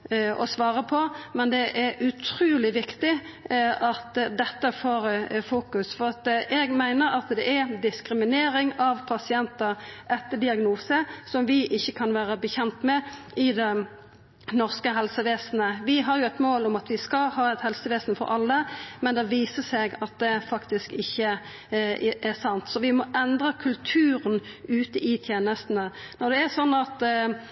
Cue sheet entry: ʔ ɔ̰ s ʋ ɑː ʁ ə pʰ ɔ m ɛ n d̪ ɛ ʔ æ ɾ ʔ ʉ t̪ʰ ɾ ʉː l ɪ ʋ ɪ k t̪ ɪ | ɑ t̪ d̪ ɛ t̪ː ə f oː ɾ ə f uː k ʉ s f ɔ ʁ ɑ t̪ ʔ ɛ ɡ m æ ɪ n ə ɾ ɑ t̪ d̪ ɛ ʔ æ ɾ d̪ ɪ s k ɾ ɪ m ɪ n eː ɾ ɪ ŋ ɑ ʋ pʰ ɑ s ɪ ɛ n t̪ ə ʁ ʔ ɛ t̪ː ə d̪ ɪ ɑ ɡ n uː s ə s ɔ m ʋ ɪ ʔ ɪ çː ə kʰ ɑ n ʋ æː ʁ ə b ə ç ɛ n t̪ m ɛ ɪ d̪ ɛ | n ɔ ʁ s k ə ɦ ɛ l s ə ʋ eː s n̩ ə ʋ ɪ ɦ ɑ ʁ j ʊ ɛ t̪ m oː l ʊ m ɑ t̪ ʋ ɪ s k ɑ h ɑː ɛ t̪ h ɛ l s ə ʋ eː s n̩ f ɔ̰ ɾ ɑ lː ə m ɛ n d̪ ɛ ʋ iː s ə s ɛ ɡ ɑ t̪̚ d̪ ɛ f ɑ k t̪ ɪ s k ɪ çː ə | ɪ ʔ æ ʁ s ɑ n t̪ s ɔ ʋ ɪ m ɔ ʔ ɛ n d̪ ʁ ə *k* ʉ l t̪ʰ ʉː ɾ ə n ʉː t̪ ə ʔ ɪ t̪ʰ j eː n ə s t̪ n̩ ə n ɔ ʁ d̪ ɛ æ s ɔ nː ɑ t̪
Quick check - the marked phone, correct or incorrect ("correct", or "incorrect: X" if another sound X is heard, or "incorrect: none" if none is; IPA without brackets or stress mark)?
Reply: incorrect: kʰ